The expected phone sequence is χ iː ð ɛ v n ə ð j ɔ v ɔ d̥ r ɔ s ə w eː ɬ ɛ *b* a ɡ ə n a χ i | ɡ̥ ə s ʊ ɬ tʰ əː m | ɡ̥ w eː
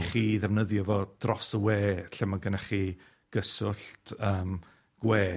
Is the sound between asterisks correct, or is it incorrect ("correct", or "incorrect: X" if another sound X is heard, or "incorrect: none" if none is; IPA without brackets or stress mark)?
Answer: incorrect: m